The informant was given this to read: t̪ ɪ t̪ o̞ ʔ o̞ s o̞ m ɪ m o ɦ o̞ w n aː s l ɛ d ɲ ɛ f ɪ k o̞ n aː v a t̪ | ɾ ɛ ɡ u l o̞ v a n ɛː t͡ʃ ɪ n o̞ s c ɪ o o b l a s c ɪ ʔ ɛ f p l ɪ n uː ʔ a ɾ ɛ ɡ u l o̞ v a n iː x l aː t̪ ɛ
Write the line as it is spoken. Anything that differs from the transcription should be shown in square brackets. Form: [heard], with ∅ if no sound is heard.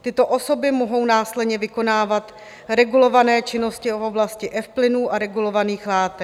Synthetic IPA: t̪ ɪ t̪ o̞ ʔ o̞ s o̞ [b] ɪ m o ɦ o̞ w n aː s l ɛ d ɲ ɛ [v] ɪ k o̞ n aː v a t̪ | ɾ ɛ ɡ u l o̞ v a n ɛː t͡ʃ ɪ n o̞ s c ɪ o o b l a s c ɪ ʔ ɛ f p l ɪ n uː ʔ a ɾ ɛ ɡ u l o̞ v a n iː x l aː t̪ ɛ